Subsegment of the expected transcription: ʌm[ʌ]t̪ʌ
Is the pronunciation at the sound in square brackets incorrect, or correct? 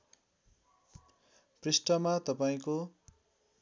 incorrect